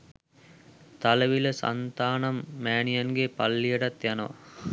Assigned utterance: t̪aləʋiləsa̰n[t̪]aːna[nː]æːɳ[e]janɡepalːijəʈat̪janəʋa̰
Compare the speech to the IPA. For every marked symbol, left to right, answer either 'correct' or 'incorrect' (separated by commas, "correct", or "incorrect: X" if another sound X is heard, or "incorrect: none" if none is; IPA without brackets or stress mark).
correct, incorrect: mː, incorrect: i